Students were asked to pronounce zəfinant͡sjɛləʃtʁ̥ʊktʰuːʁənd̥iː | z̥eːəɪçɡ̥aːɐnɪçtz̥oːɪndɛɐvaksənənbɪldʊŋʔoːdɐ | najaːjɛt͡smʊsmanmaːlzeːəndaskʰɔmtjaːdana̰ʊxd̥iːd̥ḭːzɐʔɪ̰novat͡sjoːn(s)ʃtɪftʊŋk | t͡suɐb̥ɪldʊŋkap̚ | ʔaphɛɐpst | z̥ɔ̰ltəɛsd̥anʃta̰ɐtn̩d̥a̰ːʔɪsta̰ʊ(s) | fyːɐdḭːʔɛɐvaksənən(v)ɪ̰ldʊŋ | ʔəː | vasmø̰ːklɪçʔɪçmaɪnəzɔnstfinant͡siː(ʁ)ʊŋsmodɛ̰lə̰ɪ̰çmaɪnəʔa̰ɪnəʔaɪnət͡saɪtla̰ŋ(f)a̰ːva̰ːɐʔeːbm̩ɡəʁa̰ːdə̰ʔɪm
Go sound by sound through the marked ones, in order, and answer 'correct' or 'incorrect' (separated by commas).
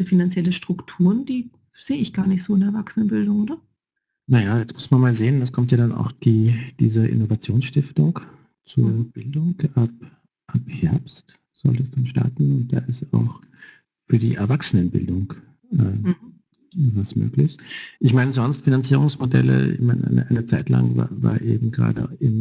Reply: correct, incorrect, incorrect, correct, incorrect